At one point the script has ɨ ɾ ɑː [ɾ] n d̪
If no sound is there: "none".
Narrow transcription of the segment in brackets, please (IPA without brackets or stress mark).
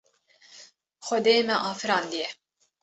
none